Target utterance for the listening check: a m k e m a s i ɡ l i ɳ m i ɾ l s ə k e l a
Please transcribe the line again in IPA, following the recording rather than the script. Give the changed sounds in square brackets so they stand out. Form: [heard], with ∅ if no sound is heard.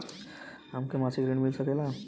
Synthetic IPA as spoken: a m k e m a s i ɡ [ɾ] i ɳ m i [∅] l s ə k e l a

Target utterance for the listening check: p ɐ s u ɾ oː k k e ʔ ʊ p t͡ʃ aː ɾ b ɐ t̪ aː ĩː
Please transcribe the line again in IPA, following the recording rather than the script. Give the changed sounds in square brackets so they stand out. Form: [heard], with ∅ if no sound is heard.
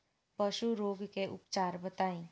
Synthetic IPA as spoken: p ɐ [ʃ] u ɾ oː [ɡ] k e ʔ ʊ p t͡ʃ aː ɾ b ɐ t̪ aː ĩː

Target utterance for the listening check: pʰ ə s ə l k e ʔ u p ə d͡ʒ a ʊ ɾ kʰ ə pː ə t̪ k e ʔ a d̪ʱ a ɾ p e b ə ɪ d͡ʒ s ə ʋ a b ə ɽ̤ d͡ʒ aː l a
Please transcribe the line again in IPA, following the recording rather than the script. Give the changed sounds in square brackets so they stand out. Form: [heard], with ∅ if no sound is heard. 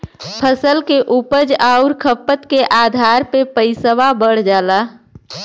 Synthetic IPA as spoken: pʰ ə s ə l k e ʔ u p ə d͡ʒ a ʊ ɾ kʰ ə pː ə t̪ k e ʔ a d̪ʱ a ɾ p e [p] ə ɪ [∅] s ə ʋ a b ə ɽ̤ d͡ʒ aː l a

